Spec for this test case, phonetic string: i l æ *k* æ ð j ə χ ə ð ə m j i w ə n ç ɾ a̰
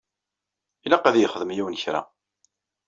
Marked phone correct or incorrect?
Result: incorrect